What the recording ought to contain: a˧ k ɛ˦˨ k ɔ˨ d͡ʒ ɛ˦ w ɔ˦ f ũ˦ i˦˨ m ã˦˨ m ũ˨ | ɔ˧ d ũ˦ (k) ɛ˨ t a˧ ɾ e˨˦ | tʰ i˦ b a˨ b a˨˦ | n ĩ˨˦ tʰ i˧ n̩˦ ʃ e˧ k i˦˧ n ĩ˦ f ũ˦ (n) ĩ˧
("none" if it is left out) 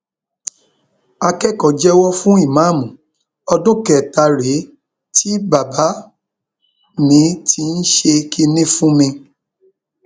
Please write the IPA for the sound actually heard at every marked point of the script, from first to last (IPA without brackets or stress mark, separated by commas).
k, m